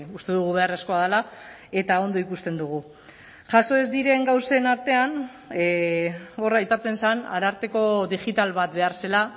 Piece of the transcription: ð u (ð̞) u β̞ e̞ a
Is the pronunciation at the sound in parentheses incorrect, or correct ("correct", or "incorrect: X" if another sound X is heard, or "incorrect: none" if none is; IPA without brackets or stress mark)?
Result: incorrect: ɣ̞